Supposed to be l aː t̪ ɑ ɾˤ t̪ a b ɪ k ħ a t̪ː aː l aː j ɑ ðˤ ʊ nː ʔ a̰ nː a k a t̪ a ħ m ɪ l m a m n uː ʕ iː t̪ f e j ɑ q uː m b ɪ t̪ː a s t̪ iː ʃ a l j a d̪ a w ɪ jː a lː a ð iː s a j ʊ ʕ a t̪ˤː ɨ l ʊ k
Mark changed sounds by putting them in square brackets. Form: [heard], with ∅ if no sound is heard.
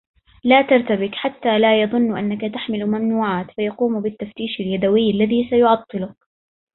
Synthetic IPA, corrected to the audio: l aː t̪ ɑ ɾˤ t̪ a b ɪ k ħ a t̪ː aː l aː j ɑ ðˤ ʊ nː ʔ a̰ nː a k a t̪ a ħ m ɪ l m a m n uː ʕ [aː] t̪ f [a] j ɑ q uː m b ɪ t̪ː a [f] t̪ iː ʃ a l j a d̪ a w ɪ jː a lː a ð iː s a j ʊ ʕ [ɑ] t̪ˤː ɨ l ʊ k